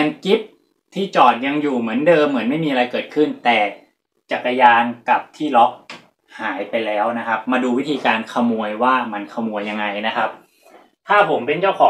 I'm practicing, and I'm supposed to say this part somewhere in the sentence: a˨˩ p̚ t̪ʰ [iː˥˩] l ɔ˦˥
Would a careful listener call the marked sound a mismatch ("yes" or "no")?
no